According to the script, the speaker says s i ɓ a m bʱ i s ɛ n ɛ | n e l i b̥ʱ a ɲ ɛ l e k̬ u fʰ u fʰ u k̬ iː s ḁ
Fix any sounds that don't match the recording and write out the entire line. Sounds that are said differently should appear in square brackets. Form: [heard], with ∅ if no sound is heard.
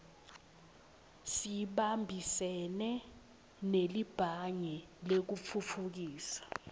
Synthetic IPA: s i ɓ a m bʱ i s ɛ n ɛ | n e l i b̥ʱ a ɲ ɛ l e k̬ u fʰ u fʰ u k̬ iː s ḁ

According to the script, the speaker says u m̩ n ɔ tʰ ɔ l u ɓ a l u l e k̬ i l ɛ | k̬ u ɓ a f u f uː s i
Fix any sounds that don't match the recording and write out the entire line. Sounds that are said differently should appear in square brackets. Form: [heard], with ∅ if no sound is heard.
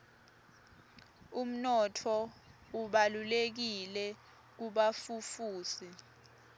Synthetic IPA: u m̩ n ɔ tʰ ɔ [∅] u ɓ a l u l e k̬ i l ɛ | k̬ u ɓ a f u f uː s i

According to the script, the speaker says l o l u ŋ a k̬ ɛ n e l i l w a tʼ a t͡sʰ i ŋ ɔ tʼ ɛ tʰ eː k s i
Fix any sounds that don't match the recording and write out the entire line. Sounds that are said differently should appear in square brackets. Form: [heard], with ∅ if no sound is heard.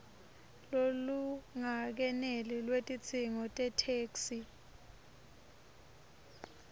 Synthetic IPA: l o l u ŋ a k̬ ɛ n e l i l w [e] tʼ [i] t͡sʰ i ŋ ɔ tʼ ɛ tʰ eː k s i

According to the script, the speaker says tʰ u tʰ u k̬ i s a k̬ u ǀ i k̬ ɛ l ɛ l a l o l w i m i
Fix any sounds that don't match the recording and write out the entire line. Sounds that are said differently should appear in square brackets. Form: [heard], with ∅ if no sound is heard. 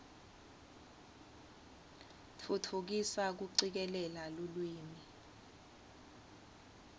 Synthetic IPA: tʰ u tʰ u k̬ i s a k̬ u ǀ i k̬ ɛ l ɛ l a l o l w [iː] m i

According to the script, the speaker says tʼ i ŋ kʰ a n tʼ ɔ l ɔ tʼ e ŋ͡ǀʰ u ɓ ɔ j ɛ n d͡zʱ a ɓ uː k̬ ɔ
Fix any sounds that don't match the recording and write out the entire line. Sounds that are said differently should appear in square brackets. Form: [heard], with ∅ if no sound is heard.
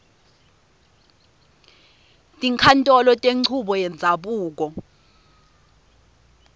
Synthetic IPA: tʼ i ŋ kʰ a n tʼ ɔ l ɔ tʼ e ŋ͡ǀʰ u ɓ ɔ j ɛ n d͡zʱ a ɓ uː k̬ ɔ

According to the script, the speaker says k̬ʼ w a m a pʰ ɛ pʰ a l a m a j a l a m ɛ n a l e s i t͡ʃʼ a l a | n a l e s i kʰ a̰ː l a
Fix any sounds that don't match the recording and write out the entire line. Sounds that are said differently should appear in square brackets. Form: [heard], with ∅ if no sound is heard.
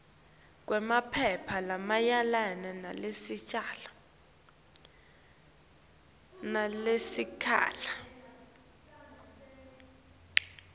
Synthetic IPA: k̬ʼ w [ɛ] m a pʰ ɛ pʰ a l a m a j a l a [n] ɛ n a l e s i t͡ʃʼ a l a | n a l e s i kʰ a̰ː l a

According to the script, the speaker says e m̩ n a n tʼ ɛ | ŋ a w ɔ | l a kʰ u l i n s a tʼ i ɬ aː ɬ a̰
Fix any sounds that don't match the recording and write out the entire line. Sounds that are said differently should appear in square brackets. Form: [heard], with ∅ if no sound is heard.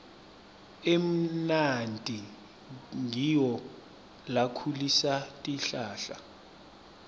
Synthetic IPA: e m̩ n a n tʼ [i] | ŋ [i] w ɔ | l a kʰ u l i [∅] s a tʼ i ɬ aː ɬ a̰

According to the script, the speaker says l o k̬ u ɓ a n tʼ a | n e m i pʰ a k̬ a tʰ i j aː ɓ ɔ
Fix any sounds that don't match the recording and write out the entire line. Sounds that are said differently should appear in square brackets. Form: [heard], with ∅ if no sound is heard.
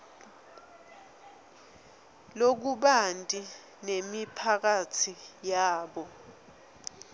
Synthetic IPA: l o k̬ u ɓ a n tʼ [i] | n e m i pʰ a k̬ a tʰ i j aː ɓ ɔ

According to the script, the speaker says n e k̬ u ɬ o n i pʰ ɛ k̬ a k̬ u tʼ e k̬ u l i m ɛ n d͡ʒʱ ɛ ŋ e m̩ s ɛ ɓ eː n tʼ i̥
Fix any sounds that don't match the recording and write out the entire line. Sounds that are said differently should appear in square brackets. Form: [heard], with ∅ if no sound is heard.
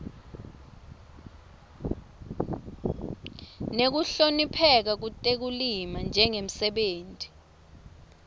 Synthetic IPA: n e k̬ u ɬ o n i pʰ ɛ k̬ a k̬ u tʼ e k̬ u l i m [a] n d͡ʒʱ ɛ ŋ e m̩ s ɛ ɓ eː n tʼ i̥

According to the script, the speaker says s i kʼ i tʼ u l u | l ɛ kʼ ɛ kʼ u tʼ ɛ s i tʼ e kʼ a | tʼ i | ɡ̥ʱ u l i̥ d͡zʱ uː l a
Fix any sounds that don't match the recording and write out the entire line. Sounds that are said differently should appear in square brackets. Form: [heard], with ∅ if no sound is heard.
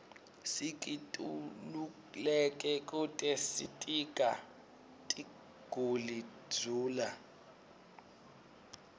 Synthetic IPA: s i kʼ i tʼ u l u | l ɛ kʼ ɛ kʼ u tʼ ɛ s i tʼ [i] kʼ a | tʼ i | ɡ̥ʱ u l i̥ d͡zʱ uː l a

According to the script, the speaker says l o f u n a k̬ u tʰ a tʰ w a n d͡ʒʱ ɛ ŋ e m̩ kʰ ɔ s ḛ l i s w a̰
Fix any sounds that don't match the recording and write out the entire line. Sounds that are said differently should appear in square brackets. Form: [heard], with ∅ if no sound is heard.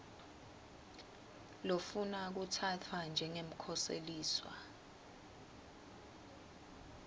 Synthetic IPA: l o f u n a k̬ u tʰ a tʰ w a n d͡ʒʱ ɛ ŋ e m̩ kʰ ɔ s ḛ l [iː] s w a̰

